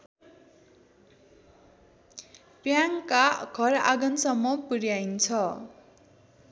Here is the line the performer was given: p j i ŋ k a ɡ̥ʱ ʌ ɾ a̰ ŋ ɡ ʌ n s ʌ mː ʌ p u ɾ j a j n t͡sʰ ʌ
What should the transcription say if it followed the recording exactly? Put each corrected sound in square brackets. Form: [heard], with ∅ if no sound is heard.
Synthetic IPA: p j [a] ŋ k a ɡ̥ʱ ʌ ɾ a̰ [∅] ɡ ʌ n s ʌ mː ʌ p u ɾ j a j n t͡sʰ ʌ